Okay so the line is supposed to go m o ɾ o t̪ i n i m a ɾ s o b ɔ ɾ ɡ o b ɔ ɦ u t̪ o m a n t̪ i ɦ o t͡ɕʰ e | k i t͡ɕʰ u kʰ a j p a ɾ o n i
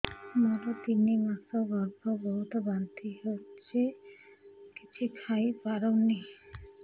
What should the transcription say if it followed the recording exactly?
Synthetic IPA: m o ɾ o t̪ i n i m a s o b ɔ ɾ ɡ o b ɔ ɦ u t̪ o b a n t̪ i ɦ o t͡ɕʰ e | k i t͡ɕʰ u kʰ a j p a ɾ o n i